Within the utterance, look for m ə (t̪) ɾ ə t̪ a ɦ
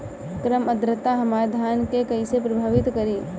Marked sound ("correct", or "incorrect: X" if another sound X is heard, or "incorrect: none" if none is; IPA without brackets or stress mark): incorrect: d̪